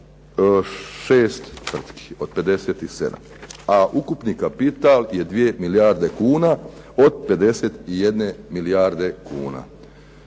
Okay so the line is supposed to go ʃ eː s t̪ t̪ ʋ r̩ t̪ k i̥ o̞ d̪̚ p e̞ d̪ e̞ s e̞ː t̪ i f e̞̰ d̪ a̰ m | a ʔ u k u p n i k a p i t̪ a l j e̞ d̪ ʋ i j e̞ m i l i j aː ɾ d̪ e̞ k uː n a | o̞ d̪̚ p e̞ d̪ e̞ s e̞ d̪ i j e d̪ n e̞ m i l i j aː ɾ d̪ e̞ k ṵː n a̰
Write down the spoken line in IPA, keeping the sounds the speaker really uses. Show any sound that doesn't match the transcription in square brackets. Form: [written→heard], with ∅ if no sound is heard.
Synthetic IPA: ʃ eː s t̪ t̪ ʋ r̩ t̪ k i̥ o̞ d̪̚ p e̞ d̪ e̞ s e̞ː t̪ i [f→s] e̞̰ d̪ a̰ m | a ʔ u k u p n i k a p i t̪ a l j e̞ d̪ ʋ i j e̞ m i l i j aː ɾ d̪ e̞ k uː n a | o̞ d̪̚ p e̞ d̪ e̞ s e̞ [d̪→t̪] i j e d̪ n e̞ m i l i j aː ɾ d̪ e̞ k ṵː n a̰